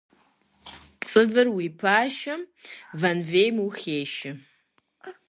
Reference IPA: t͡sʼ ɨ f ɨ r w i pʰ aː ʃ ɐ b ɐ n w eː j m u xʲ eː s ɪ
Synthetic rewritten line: t͡sʼ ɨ v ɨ r w i pʰ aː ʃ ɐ v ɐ n v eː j m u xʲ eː ʃ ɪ